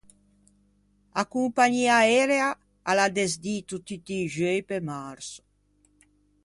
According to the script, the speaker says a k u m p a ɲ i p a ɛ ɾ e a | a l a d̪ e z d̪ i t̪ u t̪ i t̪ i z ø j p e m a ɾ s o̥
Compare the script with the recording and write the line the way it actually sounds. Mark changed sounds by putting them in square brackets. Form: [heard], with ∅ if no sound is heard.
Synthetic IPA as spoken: a k u m p a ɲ i [∅] a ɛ ɾ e a | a l a d̪ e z d̪ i t̪ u t̪ i t̪ i [ʒ] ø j p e m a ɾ s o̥